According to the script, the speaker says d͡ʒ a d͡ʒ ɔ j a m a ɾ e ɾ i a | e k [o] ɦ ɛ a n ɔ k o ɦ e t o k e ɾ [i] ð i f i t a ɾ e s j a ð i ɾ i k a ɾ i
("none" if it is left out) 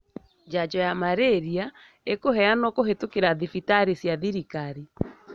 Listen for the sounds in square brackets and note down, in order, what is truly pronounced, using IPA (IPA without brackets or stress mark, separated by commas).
o, a